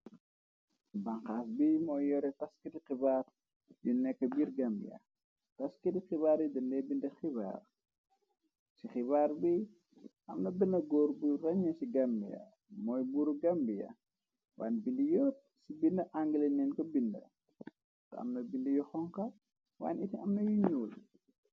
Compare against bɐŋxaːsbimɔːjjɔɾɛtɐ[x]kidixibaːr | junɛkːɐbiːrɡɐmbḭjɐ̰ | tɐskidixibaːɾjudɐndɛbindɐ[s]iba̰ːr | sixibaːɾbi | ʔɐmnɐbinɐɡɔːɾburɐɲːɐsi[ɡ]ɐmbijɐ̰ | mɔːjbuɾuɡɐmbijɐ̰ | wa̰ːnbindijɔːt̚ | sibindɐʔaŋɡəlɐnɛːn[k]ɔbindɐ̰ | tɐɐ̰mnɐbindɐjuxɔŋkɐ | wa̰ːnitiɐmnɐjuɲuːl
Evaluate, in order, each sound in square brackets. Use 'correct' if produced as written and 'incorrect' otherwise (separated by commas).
incorrect, incorrect, correct, correct